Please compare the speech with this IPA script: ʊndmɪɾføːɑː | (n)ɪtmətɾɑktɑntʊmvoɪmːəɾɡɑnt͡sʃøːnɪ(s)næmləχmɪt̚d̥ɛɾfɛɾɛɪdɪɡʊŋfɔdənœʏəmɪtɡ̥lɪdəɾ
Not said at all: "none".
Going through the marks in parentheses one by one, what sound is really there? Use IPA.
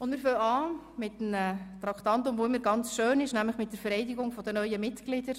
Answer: m, ʃ

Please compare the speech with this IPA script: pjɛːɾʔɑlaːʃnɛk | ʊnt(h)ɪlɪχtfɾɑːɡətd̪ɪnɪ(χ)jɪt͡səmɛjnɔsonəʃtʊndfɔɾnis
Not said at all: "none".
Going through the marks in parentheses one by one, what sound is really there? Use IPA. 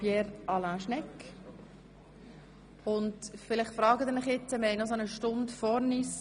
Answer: f, χ

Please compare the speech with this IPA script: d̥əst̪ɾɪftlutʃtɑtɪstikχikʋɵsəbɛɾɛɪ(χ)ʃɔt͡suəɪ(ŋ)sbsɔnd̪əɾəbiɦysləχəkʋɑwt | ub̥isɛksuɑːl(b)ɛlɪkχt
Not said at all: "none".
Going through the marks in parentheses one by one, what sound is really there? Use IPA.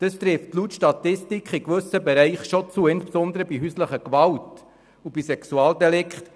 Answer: χ, n, d

